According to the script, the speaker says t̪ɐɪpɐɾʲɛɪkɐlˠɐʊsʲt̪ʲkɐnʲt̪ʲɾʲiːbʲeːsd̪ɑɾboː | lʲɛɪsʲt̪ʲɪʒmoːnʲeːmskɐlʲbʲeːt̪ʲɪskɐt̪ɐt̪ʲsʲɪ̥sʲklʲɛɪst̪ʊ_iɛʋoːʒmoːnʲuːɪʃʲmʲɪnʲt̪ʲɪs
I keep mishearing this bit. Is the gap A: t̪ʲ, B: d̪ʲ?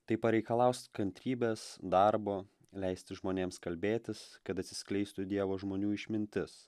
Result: B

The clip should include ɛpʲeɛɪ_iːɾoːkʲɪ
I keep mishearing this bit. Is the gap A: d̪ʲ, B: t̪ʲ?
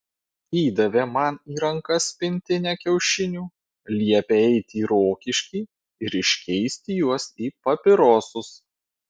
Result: B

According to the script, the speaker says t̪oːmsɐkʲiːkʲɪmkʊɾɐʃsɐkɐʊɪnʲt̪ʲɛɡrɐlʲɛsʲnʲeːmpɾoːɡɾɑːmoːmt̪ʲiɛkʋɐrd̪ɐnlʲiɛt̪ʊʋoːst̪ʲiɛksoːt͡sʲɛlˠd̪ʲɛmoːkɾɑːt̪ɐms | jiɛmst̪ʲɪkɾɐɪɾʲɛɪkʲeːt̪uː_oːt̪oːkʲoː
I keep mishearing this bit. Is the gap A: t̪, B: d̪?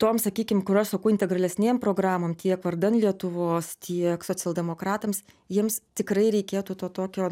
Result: A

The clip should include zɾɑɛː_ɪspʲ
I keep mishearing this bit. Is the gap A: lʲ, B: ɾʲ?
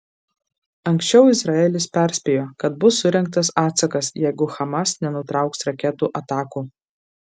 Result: A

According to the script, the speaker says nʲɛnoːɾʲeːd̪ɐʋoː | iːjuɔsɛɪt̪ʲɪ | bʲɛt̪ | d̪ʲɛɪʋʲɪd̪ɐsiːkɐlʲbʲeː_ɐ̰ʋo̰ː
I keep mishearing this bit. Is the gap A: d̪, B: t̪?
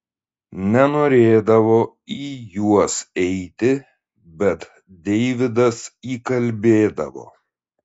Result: A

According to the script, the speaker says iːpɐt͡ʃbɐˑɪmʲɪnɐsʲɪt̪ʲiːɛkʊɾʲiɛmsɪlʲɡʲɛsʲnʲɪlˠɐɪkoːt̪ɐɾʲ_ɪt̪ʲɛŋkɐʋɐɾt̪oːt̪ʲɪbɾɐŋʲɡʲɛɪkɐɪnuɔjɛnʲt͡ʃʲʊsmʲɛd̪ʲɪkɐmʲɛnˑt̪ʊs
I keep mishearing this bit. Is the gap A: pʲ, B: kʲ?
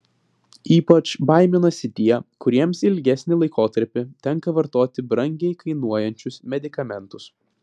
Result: A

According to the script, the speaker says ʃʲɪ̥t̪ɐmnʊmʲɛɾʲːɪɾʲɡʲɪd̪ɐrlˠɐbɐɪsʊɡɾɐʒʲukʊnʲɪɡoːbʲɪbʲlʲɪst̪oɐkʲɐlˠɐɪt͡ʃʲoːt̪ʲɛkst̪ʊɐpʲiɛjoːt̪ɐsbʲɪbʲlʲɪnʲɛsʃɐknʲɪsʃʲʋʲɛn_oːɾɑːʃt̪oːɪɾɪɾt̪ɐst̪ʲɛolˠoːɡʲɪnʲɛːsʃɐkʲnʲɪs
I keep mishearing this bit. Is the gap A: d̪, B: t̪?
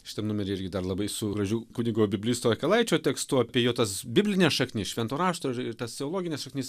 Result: B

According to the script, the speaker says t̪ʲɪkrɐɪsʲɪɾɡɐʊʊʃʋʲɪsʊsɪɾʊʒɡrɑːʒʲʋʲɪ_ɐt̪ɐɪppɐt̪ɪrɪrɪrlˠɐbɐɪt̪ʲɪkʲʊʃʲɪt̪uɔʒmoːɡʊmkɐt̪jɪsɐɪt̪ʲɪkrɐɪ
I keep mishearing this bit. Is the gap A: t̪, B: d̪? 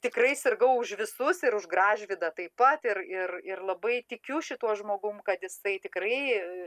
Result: B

